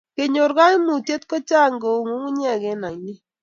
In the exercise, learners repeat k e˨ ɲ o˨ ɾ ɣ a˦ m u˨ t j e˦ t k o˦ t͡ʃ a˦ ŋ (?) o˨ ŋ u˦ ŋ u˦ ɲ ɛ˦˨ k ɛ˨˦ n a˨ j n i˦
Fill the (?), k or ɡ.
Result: ɡ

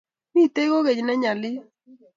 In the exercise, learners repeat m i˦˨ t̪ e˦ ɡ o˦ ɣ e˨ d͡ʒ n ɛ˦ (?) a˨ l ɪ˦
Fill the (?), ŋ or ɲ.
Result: ɲ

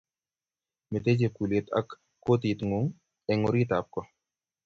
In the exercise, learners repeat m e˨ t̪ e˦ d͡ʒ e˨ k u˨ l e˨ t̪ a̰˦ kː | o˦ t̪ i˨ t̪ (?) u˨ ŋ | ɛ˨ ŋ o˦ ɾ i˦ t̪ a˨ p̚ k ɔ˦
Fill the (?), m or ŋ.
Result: ŋ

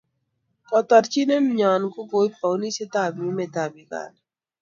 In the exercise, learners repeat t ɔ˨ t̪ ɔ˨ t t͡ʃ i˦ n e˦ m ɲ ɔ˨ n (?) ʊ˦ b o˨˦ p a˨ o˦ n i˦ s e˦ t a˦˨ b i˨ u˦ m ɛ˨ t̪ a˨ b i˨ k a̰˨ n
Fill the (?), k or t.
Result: k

